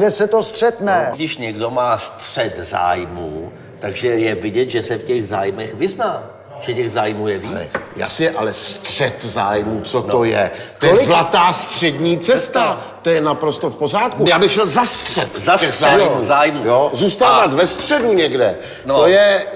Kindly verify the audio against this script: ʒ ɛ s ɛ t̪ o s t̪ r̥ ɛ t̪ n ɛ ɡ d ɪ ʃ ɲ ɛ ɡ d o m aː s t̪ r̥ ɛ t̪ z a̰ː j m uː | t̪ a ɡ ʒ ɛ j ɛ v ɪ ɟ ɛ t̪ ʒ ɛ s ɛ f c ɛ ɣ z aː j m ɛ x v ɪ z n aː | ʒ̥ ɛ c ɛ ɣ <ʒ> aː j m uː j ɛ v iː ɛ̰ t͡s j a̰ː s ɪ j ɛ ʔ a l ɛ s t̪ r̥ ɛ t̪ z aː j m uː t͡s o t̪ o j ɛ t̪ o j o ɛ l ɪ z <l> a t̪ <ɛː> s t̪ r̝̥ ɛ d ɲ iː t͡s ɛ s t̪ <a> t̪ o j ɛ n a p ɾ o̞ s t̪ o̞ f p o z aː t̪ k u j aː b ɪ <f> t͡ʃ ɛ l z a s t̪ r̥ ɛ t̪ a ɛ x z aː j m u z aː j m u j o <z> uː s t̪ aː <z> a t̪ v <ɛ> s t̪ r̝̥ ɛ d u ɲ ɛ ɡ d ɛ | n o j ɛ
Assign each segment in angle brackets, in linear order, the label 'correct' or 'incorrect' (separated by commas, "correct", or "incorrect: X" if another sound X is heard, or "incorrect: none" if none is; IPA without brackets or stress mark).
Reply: incorrect: z, correct, incorrect: aː, correct, incorrect: x, correct, incorrect: v, correct